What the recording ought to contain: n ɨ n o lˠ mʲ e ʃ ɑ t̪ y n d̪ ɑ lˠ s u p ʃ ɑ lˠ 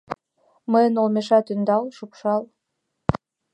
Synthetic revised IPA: m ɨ n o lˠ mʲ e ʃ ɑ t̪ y n d̪ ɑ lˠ ʃ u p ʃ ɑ lˠ